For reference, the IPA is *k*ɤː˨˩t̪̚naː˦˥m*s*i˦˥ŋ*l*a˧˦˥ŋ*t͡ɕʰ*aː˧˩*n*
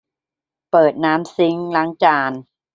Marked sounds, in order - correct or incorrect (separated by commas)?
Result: incorrect, correct, correct, incorrect, correct